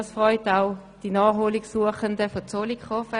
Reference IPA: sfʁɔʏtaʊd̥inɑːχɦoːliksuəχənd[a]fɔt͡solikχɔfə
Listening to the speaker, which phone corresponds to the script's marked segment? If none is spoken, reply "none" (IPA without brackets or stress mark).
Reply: ə